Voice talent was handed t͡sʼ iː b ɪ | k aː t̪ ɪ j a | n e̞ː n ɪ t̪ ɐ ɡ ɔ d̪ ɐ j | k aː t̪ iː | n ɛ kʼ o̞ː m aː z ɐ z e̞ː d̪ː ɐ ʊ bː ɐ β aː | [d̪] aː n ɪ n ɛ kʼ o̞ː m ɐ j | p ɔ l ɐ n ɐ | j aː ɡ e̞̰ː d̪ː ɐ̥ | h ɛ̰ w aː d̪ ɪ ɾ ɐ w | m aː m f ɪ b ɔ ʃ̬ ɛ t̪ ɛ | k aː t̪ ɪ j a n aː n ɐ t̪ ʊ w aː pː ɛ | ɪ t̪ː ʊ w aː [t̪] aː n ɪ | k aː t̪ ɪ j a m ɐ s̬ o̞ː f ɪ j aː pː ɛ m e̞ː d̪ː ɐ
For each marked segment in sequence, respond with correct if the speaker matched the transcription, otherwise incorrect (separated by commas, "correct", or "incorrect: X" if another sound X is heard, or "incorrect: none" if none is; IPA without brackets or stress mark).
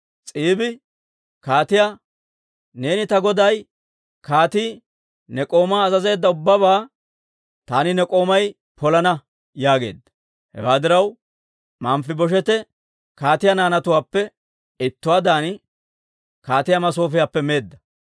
incorrect: t̪, incorrect: d̪